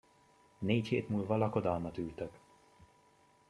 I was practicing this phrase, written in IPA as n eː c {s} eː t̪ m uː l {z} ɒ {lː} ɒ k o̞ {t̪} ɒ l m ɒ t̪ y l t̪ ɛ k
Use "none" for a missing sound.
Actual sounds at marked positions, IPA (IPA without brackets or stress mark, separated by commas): h, v, l, d̪